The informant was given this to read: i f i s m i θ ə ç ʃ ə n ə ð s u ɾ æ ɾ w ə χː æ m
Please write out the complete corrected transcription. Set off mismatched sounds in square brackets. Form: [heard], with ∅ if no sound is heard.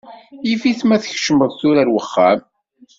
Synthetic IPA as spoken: i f i [θ] m [æ] θ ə ç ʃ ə [m] ə ð [θ] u ɾ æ ɾ w ə χː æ m